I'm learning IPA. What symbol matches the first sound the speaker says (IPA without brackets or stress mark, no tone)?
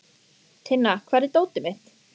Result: t̪ʰ